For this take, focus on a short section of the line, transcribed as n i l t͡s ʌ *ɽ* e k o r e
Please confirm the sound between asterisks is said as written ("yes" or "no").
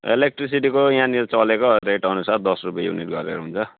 no